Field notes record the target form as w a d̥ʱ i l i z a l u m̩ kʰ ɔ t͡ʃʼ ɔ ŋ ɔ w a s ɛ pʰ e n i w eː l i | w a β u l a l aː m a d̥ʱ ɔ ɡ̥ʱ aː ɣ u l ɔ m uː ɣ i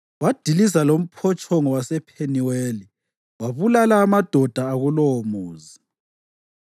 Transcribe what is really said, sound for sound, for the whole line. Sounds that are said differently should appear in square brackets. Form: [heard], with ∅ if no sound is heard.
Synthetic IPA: w a d̥ʱ i l i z a l [o] m̩ [pʰ] ɔ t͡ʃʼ ɔ ŋ ɔ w a s ɛ pʰ e n i w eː l i | w a β u l a l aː m a d̥ʱ ɔ [d̥ʱ] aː ɣ u l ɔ m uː [z] i